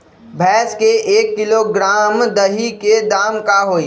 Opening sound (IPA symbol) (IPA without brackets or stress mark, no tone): bʱ